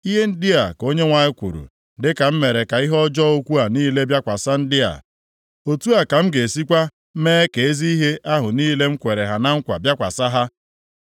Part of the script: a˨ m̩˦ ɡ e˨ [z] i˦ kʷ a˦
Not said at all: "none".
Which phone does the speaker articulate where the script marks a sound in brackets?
s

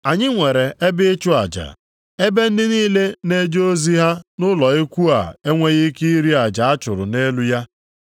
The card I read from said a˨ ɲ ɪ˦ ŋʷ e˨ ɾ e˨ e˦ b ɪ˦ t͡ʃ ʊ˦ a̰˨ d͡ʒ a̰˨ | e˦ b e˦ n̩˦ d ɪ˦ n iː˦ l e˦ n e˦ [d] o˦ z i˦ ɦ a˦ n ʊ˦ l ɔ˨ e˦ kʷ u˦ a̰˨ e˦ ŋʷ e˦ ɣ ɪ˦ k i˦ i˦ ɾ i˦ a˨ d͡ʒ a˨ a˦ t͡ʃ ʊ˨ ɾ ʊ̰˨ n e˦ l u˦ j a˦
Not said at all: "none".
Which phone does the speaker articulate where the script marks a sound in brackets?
d͡ʒ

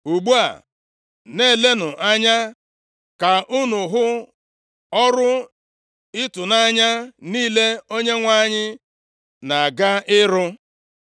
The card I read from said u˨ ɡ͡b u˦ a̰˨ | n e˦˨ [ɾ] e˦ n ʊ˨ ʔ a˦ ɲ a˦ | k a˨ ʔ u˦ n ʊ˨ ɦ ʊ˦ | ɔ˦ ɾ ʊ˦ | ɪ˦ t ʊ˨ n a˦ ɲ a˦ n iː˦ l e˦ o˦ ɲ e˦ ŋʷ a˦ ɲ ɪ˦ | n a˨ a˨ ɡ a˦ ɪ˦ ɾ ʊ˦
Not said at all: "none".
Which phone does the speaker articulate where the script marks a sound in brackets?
l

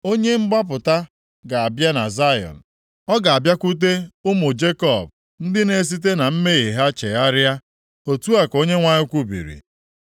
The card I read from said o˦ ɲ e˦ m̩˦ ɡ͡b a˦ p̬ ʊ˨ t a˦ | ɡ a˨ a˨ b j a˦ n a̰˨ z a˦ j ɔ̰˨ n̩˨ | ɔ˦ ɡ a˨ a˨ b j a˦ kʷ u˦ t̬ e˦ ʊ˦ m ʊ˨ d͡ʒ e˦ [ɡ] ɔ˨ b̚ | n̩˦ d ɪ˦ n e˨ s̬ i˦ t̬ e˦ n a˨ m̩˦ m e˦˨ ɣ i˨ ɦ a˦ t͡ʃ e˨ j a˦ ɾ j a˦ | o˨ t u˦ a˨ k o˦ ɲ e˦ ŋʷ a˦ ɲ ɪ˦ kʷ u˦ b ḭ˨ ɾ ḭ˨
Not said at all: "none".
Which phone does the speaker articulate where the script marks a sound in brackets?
k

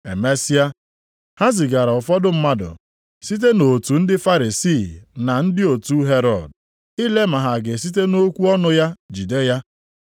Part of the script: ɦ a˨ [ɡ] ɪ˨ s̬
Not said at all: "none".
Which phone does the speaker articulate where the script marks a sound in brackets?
ɡ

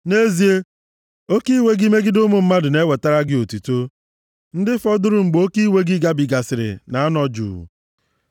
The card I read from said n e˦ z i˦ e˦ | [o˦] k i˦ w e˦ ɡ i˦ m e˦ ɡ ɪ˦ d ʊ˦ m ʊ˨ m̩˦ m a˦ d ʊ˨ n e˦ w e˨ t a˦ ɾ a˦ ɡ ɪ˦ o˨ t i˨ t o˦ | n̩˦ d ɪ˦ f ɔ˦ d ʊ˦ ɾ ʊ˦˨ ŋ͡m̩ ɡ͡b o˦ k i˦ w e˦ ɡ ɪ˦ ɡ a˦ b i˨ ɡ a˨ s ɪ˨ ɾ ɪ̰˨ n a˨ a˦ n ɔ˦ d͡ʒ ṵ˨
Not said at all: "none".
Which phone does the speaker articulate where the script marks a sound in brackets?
o˦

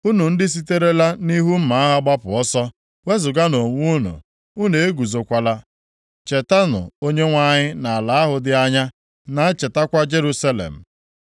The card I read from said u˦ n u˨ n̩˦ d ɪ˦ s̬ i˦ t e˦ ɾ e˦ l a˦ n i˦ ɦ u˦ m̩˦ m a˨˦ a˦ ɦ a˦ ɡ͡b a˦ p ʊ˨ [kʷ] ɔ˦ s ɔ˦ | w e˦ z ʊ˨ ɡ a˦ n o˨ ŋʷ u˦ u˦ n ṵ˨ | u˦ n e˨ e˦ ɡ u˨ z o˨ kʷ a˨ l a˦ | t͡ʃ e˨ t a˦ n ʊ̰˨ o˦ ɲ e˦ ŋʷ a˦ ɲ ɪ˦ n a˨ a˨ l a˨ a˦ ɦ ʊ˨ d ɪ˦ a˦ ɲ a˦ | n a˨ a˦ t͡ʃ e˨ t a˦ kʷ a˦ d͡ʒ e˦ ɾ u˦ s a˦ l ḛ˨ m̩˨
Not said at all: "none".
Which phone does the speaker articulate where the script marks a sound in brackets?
none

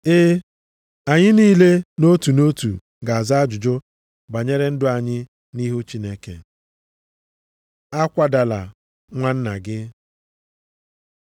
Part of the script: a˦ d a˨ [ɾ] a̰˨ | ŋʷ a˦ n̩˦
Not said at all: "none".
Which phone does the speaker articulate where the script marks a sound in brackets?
l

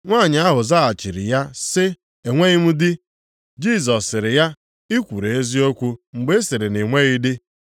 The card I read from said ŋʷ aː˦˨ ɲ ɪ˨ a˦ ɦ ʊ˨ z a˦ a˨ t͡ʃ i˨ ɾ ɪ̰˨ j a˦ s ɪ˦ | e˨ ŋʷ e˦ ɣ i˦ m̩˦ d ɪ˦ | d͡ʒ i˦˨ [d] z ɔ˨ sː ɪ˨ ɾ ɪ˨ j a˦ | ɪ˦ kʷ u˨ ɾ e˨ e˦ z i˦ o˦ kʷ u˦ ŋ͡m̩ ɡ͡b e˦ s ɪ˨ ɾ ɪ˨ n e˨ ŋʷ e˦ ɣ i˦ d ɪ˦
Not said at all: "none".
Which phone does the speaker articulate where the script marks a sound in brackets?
none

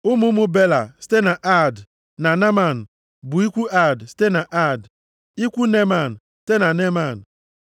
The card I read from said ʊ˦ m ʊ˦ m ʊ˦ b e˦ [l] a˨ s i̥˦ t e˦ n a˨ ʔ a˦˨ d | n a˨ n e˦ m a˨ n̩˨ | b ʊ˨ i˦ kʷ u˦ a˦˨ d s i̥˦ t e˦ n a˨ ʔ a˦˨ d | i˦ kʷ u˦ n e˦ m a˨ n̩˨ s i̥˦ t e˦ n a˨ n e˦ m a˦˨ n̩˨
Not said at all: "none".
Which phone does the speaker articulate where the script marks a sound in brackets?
l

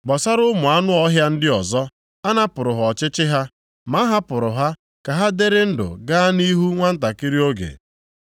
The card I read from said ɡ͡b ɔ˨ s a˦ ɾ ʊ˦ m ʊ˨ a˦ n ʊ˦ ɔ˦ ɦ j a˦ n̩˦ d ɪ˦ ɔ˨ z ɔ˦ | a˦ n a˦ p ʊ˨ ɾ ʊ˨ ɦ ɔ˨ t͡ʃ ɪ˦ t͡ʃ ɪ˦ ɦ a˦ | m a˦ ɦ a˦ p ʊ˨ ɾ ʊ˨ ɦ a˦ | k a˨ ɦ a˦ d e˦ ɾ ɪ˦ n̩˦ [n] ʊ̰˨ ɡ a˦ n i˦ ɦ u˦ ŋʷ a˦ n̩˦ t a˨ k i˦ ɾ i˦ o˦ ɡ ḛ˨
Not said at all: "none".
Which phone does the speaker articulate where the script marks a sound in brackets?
d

